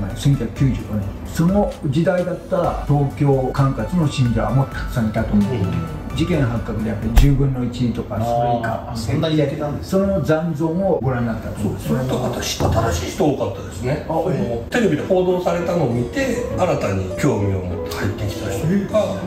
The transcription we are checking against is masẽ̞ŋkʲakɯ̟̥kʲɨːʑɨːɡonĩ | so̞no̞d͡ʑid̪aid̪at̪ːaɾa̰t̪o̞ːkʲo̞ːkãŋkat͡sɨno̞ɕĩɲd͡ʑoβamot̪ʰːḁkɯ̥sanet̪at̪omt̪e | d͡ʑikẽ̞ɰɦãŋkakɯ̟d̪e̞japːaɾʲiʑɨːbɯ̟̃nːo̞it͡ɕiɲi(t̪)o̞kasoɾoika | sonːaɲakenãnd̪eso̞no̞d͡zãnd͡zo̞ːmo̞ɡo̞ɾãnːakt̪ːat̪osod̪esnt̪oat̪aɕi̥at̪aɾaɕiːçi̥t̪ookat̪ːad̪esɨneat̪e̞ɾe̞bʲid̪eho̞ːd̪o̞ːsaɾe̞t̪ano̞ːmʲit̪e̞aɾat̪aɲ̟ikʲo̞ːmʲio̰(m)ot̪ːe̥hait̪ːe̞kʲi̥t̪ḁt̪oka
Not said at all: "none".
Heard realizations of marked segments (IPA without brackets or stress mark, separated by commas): t̪, m